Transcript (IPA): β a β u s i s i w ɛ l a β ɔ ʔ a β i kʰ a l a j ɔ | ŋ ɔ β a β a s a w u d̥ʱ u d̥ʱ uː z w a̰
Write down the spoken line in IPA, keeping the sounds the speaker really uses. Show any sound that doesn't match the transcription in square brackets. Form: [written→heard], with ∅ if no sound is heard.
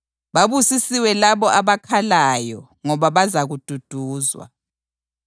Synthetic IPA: β a β u s i s i w ɛ l a β ɔ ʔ a β [i→a] kʰ a l a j ɔ | ŋ ɔ β a β a [s→z] a [w→ɣ] u d̥ʱ u d̥ʱ uː z w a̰